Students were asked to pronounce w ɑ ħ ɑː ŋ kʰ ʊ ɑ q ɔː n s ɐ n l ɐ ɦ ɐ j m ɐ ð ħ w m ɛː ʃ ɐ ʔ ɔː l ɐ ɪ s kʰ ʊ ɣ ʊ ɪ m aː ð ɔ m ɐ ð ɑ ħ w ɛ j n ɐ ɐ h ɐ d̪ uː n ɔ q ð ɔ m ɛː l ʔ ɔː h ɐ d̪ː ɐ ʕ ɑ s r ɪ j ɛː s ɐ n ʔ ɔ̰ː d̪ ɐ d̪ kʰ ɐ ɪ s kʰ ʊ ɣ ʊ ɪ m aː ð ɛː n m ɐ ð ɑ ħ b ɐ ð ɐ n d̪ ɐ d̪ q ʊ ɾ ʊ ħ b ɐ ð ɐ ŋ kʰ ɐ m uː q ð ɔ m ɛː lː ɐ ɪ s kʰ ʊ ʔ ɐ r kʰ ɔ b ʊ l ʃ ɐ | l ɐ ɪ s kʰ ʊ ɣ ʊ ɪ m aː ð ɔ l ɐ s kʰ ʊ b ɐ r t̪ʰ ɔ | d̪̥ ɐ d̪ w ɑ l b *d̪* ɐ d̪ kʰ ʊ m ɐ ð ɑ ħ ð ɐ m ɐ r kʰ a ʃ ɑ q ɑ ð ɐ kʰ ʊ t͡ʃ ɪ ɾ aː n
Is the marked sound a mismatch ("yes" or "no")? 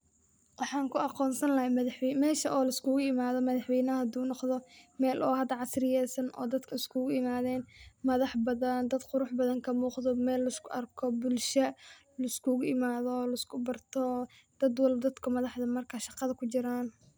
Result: no